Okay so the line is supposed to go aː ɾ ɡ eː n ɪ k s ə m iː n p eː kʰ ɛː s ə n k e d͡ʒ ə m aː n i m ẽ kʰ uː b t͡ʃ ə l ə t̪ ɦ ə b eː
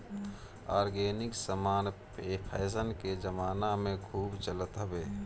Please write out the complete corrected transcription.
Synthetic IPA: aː ɾ ɡ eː n ɪ k s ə m aː n p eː pʰ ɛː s ə n k e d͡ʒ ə m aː n a m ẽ kʰ uː b t͡ʃ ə l ə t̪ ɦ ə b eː